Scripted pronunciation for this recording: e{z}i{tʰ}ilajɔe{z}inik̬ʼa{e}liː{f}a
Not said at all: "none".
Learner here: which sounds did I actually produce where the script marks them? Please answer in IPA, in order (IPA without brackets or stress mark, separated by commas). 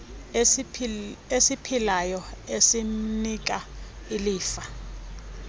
s, pʰ, s, i, f